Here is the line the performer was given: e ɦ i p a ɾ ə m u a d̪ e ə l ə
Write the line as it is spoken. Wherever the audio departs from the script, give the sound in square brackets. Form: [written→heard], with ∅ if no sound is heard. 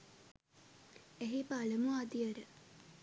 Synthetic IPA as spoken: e ɦ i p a [ɾ→l] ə m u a d̪ [e→i] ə [l→ɾ] ə